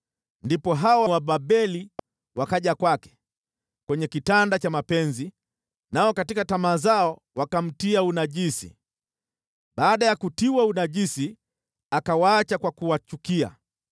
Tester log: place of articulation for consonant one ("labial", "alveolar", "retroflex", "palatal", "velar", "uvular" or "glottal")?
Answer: alveolar